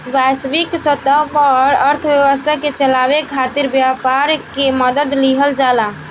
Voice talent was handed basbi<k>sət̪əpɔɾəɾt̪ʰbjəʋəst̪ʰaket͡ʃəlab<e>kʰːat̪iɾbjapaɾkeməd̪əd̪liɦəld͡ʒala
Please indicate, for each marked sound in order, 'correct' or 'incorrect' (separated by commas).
correct, correct